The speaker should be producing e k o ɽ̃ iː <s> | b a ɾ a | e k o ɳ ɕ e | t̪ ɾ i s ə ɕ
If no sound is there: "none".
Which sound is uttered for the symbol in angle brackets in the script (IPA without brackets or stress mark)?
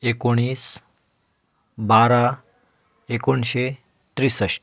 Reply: s